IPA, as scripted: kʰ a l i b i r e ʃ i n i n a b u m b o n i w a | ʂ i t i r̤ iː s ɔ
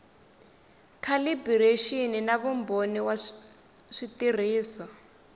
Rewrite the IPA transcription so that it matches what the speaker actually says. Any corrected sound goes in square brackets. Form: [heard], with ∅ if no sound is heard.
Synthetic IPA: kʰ a l i b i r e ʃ i n i n a [β] u m b o n i w a | ʂ i t i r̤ iː s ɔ